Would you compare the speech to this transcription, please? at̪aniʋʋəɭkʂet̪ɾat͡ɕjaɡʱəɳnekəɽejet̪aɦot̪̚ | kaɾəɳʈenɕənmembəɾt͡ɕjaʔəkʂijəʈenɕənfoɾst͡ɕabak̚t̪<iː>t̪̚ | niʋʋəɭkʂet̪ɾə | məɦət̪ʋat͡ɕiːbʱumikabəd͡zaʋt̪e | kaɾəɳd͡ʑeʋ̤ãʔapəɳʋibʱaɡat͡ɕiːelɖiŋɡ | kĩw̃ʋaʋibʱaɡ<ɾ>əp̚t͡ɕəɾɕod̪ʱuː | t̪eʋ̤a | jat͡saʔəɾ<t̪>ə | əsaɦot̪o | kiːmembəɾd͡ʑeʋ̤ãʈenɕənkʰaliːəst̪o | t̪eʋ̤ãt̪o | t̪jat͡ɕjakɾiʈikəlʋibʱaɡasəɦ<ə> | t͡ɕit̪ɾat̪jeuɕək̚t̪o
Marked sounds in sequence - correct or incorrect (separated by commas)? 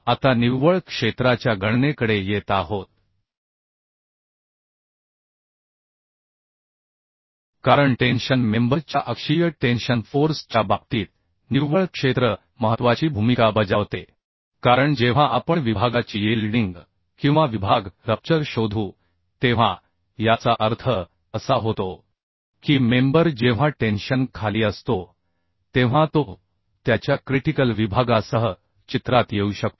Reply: correct, correct, incorrect, correct